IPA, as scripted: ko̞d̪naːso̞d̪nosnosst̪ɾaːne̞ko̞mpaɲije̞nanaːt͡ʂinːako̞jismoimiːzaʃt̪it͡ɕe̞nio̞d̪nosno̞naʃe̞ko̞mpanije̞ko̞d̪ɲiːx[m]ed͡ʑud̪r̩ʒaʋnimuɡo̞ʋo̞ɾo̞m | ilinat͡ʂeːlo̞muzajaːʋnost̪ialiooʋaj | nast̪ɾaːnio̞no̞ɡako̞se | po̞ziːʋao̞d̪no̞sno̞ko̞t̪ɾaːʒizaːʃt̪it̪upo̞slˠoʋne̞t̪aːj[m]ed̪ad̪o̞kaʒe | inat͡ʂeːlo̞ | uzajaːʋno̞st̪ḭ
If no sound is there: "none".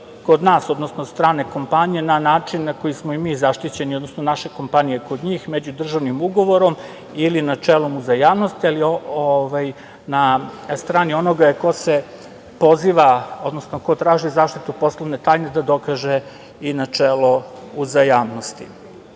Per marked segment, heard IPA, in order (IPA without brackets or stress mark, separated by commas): m, n